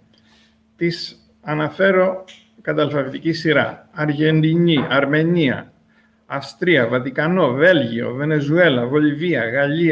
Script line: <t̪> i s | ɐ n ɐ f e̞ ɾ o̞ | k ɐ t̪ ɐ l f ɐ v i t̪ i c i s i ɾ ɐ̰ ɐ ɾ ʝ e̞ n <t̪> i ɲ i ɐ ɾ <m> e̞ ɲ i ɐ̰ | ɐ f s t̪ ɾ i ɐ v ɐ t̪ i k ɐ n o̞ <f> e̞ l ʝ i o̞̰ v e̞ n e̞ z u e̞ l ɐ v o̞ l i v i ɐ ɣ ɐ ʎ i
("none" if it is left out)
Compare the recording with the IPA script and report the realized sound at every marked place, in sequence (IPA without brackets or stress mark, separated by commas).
t̪, d̪, m, v